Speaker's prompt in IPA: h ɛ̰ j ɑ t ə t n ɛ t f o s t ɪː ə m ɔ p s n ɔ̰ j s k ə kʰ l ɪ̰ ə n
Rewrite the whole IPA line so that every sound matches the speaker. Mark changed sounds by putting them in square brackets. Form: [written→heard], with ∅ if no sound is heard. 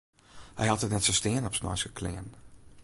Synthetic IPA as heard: h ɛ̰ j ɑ t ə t n ɛ t [f→s] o s t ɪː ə [m→n] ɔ p s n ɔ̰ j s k ə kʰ l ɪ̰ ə n